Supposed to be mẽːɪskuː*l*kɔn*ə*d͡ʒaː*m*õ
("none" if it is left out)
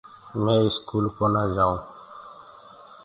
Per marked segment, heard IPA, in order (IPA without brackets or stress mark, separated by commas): l, a, none